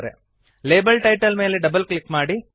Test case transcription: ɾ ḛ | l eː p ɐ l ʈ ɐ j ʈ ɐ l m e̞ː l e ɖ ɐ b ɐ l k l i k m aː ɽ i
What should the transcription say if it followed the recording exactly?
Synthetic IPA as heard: ɾ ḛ | l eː b ɐ l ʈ ɐ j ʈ ɐ l m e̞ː l e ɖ ɐ b ɐ l k l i k m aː ɽ i